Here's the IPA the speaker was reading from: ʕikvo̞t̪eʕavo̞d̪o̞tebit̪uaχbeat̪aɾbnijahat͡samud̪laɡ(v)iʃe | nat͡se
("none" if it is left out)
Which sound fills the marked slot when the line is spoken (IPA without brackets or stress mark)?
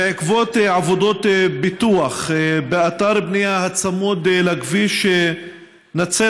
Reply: v